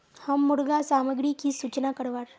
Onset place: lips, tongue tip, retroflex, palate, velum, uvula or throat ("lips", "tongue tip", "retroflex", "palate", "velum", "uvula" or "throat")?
throat